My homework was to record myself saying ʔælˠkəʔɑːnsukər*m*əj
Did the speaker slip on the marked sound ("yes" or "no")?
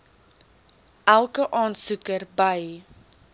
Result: yes